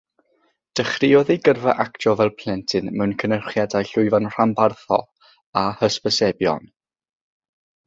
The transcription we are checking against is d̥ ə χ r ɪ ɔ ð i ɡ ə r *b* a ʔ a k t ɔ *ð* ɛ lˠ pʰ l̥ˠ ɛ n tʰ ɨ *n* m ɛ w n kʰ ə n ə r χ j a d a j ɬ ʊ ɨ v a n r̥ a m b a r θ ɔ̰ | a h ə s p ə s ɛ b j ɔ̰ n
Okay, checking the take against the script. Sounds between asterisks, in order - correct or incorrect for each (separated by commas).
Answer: incorrect, incorrect, correct